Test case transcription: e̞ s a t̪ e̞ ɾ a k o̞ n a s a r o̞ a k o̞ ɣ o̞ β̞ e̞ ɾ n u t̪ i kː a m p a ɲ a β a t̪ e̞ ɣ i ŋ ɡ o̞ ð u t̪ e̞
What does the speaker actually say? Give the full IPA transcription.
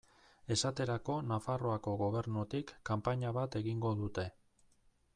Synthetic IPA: e̞ s a t̪ e̞ ɾ a k o̞ n a f a r o̞ a k o̞ ɣ o̞ β̞ e̞ ɾ n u t̪ i kː a m p a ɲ a β a t̪ e̞ ɣ i ŋ ɡ o̞ ð u t̪ e̞

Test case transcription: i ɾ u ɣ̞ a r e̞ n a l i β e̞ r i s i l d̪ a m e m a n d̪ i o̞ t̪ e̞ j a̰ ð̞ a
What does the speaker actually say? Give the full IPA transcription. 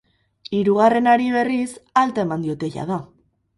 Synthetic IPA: i ɾ u ɣ̞ a r e̞ n a ɾ i β e̞ r i s a l t̪ a e m a n d̪ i o̞ t̪ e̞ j a̰ ð̞ a

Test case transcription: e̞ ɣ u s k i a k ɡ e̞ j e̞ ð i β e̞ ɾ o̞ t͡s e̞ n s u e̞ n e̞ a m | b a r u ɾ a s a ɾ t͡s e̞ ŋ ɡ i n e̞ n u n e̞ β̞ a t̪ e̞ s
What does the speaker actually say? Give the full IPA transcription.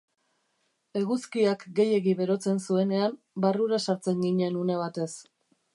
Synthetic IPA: e̞ ɣ u s k i a k ɡ e̞ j e̞ ɣ i β e̞ ɾ o̞ t͡s e̞ n s u e̞ n e̞ a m | b a r u ɾ a s a ɾ t͡s e̞ ŋ ɡ i ɲ e̞ n u n e̞ β̞ a t̪ e̞ s

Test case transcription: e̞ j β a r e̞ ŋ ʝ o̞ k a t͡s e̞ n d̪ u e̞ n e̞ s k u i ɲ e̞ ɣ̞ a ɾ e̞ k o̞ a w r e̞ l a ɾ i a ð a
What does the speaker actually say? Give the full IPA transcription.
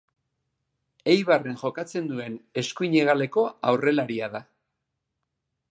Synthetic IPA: e̞ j β a r e̞ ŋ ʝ o̞ k a t͡s e̞ n d̪ u e̞ n e̞ s k u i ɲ e̞ ɣ̞ a l e̞ k o̞ a w r e̞ l a ɾ i a ð a

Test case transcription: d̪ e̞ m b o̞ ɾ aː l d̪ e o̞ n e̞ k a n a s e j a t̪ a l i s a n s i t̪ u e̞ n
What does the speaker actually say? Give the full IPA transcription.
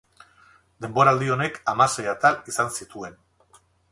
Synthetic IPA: d̪ e̞ m b o̞ ɾ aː l d̪ i o̞ n e̞ k a m a s e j a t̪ a l i s a n s i t̪ u e̞ n

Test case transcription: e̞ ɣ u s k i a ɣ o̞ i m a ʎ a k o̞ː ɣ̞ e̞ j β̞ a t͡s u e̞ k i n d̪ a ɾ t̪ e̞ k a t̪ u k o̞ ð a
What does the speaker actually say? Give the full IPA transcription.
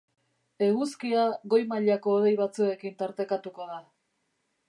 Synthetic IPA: e̞ ɣ u s k i a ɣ o̞ j m a ʎ a k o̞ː ð̞ e̞ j β̞ a t͡s u e̞ k i n t̪ a ɾ t̪ e̞ k a t̪ u k o̞ ð a

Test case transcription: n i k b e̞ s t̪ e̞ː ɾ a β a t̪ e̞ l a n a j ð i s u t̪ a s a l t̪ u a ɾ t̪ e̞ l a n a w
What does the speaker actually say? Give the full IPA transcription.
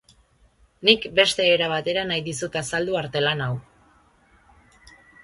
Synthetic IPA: n i k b e̞ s t̪ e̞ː ɾ a β a t̪ e̞ ɾ a n a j ð i s u t̪ a s a l d̪ u a ɾ t̪ e̞ l a n a w

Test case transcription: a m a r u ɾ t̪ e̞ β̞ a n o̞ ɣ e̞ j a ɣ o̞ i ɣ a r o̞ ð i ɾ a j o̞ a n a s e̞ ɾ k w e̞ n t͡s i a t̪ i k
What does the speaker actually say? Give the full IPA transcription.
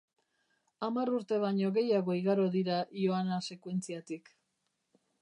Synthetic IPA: a m a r u ɾ t̪ e̞ β̞ a ɲ o̞ ɣ e̞ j a ɣ o̞ i ɣ a ɾ o̞ ð i ɾ a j o̞ a n a s e̞ k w e̞ n t͡s i a t̪ i k

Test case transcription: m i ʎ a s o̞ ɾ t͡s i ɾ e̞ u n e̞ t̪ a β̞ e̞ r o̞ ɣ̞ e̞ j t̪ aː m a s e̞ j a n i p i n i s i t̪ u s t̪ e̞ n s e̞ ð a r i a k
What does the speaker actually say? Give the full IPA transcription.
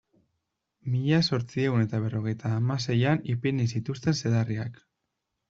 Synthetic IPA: m i ʎ a s o̞ ɾ t͡s i e̞ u n e̞ t̪ a β̞ e̞ r o̞ ɣ̞ e̞ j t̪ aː m a s e̞ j a n i p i n i s i t̪ u s t̪ e̞ n s e̞ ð a r i a k

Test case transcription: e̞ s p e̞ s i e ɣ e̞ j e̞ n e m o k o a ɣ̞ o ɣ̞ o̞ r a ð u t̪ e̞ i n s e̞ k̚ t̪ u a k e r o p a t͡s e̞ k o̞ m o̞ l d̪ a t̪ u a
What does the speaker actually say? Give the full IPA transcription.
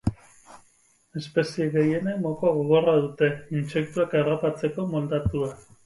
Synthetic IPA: e̞ s p e̞ s i e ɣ e̞ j e̞ n e m o k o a ɣ̞ o ɣ̞ o̞ r a ð u t̪ e̞ i n s e̞ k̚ t̪ u a k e r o p a t͡s e̞ k o̞ m o̞ l d̪ a t̪ u a

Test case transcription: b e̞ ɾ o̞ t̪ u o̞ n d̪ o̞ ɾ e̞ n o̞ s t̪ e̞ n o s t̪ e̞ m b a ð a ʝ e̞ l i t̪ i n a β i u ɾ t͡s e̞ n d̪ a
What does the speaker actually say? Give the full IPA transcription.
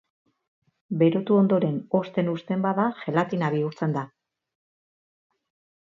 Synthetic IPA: b e̞ ɾ o̞ t̪ u o̞ n d̪ o̞ ɾ e̞ n o̞ s t̪ e̞ n u s t̪ e̞ m b a ð a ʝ e̞ l a t̪ i n a β i u ɾ t͡s e̞ n d̪ a

